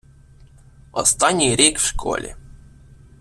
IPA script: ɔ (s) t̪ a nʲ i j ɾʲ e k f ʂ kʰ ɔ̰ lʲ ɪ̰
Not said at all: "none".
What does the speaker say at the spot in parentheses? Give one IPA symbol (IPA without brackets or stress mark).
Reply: s